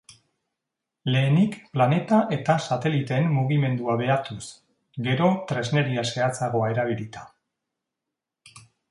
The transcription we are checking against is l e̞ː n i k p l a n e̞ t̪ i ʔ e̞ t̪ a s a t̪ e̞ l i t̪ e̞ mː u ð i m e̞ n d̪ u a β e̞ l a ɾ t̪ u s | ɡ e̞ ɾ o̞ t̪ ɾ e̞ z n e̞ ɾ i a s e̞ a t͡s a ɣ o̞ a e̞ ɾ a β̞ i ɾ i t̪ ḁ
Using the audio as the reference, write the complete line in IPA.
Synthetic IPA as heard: l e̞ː n i k p l a n e̞ t̪ a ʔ e̞ t̪ a s a t̪ e̞ l i t̪ e̞ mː u ɣ i m e̞ n d̪ u a β e̞ a ɾ t̪ u s | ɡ e̞ ɾ o̞ t̪ ɾ e̞ z n e̞ ɾ i a s e̞ a t͡s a ɣ o̞ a e̞ ɾ a β̞ i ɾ i t̪ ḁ